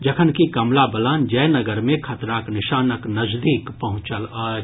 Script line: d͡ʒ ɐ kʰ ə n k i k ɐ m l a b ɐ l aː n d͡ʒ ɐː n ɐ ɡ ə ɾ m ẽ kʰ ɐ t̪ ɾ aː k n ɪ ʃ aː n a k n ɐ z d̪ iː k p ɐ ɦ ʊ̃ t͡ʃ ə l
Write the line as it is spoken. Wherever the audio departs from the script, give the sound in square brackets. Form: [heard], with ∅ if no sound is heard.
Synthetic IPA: d͡ʒ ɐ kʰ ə n k i k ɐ m l a b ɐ l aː n d͡ʒ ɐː n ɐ ɡ ə ɾ m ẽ kʰ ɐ t̪ ɾ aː k n ɪ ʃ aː n [ə] k n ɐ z d̪ iː k p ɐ ɦ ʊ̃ t͡ʃ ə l